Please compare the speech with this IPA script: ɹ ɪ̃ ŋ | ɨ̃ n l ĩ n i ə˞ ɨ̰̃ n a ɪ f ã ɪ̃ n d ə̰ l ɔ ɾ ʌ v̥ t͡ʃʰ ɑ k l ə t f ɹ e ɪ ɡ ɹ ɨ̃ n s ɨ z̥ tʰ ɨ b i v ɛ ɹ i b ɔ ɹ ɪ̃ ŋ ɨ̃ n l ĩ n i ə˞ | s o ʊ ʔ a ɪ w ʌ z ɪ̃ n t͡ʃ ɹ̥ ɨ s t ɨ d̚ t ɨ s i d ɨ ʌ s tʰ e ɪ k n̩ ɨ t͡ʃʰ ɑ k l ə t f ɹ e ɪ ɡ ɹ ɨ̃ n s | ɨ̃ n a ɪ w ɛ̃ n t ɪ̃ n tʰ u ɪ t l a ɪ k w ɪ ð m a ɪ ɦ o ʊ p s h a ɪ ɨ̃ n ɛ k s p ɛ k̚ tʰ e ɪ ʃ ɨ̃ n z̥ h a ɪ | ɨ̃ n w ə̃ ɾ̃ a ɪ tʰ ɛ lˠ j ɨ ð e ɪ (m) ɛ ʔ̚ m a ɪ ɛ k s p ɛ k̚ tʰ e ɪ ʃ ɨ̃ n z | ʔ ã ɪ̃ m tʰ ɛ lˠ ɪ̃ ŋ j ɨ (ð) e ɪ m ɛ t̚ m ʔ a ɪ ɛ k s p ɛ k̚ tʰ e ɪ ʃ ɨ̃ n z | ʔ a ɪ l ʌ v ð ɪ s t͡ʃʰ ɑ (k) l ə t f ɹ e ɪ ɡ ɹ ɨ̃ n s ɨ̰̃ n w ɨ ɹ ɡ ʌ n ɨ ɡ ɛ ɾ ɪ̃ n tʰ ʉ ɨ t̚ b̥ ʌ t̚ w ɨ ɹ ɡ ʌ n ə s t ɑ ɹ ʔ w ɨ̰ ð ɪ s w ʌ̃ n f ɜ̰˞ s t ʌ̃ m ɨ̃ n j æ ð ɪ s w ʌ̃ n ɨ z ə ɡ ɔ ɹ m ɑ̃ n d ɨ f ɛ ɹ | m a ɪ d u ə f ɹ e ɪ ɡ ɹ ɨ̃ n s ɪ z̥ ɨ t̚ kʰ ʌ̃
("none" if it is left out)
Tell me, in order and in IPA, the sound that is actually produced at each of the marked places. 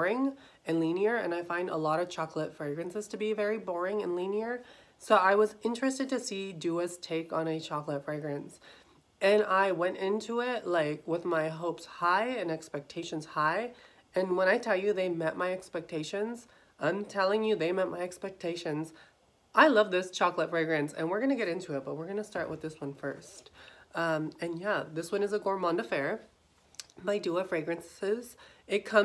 m, ð, k

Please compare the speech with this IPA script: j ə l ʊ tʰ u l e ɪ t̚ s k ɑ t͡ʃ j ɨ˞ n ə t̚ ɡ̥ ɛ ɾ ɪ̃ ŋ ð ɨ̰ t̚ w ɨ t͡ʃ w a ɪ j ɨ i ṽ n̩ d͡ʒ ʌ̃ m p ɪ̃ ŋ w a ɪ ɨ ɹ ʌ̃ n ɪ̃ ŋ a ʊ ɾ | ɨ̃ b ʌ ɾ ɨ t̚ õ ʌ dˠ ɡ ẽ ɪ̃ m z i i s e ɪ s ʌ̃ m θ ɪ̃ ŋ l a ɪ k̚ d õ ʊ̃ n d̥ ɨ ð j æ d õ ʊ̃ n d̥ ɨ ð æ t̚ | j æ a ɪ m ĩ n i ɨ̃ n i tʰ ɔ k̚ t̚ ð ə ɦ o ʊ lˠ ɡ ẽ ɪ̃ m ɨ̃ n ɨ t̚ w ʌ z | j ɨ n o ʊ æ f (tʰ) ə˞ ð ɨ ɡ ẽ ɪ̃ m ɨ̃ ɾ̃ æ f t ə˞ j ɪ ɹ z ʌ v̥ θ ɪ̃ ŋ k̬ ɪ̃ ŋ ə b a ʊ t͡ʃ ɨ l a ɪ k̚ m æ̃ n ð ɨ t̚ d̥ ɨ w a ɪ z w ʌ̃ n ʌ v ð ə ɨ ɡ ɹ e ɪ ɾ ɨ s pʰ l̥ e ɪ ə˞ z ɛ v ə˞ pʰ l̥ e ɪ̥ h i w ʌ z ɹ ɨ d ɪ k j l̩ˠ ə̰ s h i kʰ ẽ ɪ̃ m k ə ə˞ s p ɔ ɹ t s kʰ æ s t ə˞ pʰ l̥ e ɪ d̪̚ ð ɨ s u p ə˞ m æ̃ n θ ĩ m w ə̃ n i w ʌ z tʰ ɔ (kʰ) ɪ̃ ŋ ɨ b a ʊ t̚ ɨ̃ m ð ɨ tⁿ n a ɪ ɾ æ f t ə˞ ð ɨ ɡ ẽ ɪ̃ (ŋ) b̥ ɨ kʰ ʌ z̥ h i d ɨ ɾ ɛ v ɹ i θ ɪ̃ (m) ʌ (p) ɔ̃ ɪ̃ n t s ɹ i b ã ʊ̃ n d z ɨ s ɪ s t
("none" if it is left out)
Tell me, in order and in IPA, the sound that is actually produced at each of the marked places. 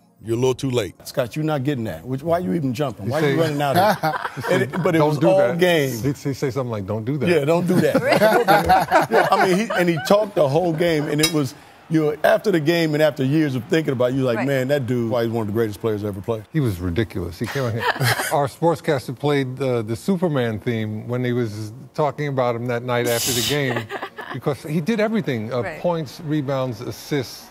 t, k, m, ŋ, pʰ

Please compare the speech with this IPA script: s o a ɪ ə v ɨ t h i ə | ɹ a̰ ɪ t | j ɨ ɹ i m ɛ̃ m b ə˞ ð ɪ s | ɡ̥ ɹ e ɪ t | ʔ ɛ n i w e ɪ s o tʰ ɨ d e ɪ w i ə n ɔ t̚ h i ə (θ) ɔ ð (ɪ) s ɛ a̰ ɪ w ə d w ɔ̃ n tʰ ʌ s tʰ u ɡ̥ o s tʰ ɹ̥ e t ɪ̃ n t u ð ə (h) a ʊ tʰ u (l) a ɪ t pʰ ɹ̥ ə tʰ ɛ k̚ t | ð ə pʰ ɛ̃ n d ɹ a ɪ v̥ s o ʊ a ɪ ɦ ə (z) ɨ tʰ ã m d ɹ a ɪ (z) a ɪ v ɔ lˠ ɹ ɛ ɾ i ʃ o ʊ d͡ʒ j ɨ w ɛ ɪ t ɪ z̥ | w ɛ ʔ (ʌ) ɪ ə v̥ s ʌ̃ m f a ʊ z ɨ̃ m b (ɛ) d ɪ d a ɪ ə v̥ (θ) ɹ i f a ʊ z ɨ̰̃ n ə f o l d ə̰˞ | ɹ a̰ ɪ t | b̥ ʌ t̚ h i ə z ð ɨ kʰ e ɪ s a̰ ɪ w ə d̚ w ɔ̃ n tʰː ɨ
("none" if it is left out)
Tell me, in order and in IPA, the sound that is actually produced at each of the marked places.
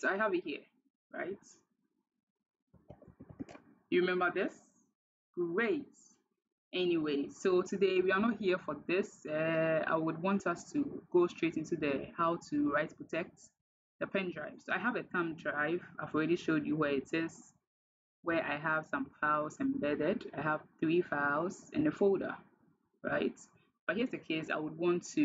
f, ɪ, h, ɹ, v, v, a, ɛ, θ

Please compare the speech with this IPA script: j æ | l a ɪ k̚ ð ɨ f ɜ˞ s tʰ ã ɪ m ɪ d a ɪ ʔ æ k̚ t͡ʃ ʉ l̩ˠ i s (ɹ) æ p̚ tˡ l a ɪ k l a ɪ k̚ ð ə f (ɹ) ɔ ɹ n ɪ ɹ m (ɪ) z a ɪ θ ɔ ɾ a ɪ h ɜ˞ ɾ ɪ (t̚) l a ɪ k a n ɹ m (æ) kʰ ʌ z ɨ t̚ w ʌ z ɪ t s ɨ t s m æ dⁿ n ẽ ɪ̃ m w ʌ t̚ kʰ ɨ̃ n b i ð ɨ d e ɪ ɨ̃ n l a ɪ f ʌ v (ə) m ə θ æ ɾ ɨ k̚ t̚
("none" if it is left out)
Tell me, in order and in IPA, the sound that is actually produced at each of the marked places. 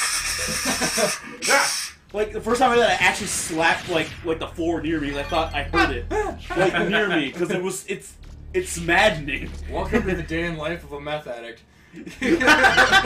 l, l, i, t̚, i, ə

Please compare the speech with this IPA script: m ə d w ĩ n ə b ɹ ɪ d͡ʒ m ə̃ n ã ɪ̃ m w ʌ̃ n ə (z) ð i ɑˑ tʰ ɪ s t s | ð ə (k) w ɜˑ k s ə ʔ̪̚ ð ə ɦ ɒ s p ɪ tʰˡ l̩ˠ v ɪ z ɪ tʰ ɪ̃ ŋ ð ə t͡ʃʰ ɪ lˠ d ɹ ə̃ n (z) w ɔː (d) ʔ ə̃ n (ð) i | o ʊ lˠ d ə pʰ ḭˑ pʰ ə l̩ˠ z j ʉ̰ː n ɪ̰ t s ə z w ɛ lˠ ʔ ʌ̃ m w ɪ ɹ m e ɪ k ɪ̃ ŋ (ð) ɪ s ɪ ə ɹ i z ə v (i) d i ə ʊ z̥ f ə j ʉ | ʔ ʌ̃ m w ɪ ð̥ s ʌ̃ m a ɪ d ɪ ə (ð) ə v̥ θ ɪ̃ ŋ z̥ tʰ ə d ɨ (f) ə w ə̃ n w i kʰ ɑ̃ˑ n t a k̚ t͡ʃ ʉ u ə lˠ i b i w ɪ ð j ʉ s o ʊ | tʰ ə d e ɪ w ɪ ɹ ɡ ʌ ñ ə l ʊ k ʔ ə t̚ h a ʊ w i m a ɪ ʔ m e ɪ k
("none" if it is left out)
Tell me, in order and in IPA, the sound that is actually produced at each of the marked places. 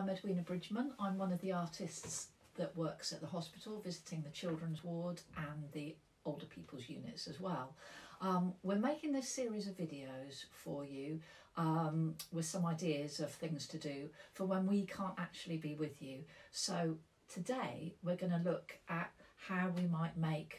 v, ʔ, z, d, ð, ð, ɪ, z, f

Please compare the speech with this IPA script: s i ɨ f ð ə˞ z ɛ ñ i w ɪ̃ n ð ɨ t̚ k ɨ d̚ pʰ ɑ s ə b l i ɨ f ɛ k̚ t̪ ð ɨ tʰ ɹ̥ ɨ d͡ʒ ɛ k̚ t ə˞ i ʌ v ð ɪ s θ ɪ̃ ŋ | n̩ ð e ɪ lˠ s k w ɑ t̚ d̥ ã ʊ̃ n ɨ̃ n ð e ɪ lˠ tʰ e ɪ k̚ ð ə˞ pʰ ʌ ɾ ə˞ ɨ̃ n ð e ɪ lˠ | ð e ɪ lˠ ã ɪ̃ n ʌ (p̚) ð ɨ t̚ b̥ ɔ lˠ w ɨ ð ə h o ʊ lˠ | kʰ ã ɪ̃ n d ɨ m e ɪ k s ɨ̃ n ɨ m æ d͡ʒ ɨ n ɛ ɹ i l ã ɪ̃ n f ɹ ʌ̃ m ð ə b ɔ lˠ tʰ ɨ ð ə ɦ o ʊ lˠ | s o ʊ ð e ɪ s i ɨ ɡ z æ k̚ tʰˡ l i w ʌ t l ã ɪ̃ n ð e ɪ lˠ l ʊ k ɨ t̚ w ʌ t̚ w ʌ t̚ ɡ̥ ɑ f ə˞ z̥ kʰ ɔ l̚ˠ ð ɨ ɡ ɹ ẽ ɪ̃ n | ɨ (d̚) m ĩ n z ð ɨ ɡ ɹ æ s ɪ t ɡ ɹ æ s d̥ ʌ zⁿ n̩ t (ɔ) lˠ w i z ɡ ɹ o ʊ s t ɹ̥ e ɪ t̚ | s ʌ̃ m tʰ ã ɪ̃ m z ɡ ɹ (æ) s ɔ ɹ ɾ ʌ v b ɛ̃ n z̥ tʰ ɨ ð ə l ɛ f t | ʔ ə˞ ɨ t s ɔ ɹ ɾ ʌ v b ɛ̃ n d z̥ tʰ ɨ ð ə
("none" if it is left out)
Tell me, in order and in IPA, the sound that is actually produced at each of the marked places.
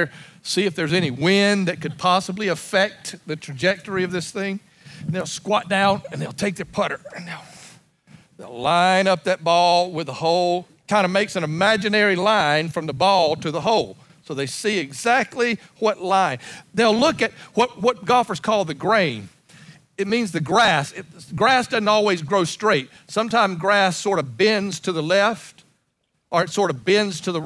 p̚, t̚, ɔ, æ

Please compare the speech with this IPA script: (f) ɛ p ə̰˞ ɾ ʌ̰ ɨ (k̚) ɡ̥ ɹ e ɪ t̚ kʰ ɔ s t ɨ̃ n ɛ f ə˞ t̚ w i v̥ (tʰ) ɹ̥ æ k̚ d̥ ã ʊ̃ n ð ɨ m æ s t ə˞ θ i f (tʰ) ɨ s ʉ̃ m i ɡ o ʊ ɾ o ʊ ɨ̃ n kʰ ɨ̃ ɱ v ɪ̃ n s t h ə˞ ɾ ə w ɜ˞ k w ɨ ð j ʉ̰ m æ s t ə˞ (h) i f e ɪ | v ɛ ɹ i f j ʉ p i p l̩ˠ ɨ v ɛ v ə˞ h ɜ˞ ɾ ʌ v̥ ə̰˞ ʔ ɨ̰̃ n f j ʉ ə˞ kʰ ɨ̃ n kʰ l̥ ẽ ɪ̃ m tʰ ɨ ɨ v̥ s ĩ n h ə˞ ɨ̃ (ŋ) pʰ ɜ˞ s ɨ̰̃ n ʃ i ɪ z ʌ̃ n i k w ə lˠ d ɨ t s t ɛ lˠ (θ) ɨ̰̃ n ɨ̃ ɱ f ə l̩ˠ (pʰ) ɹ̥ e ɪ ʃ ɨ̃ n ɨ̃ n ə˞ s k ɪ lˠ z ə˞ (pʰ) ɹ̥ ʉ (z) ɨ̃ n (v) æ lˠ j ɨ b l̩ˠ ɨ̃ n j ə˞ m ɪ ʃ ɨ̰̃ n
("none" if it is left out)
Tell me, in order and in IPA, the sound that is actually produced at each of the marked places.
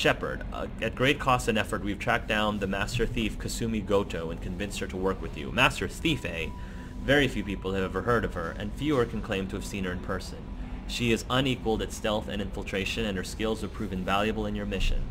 ʃ, t̚, tʰ, kʰ, θ, n, θ, tʰ, pʰ, v, v

